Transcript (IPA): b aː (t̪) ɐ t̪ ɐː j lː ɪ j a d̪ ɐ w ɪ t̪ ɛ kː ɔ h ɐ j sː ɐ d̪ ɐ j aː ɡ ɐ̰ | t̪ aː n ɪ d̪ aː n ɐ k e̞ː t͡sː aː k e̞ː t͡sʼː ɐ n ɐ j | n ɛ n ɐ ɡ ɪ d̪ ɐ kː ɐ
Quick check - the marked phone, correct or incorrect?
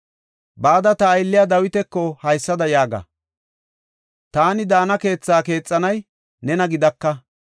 incorrect